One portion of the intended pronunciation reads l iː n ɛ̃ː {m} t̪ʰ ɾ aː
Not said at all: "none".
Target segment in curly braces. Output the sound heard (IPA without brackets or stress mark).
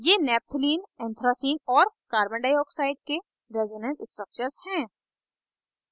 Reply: n